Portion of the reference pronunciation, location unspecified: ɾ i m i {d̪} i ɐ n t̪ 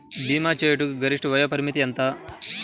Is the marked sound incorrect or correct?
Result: incorrect